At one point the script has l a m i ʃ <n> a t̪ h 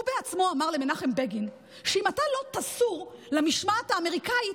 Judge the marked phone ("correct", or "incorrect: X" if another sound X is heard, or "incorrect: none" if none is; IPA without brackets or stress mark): incorrect: m